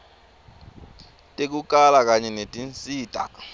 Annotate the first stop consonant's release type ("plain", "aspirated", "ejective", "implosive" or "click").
ejective